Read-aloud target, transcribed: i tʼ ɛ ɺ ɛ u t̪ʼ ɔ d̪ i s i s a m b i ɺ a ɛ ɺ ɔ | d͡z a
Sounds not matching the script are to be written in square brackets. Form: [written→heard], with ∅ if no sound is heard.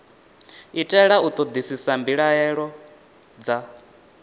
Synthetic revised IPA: i tʼ ɛ ɺ [ɛ→a] u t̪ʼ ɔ d̪ i s i s a m b i ɺ a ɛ ɺ ɔ | d͡z a